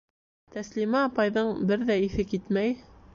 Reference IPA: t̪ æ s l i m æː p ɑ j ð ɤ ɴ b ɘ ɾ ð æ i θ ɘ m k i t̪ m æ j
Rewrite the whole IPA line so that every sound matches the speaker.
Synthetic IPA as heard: t̪ æ s l i m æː p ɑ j ð ɤ ɴ b ɘ ɾ ð æ i θ ɘ k i t̪ m æ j